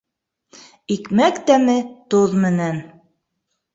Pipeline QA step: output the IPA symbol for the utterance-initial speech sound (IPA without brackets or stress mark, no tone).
i